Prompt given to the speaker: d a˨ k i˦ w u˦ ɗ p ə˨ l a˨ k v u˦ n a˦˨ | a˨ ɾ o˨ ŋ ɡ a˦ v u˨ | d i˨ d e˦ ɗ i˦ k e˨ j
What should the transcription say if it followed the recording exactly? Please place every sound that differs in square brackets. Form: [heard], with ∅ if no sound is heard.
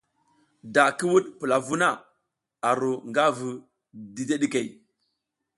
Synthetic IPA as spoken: d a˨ k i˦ w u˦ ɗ p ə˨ l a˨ [∅] v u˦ n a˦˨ | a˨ ɾ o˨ ŋ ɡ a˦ v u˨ | d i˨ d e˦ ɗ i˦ k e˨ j